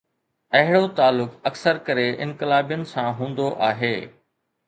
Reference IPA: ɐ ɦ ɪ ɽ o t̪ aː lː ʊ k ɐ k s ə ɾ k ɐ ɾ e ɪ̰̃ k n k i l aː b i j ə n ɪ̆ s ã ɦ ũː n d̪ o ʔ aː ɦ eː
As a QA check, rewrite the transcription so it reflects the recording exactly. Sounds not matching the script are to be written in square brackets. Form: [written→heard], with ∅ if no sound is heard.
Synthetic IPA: ɐ ɦ ɪ ɽ o t̪ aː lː ʊ k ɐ k s ə ɾ k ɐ ɾ e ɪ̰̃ [k→∅] n k [i→ɪ] l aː b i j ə n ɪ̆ s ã ɦ ũː n d̪ o ʔ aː ɦ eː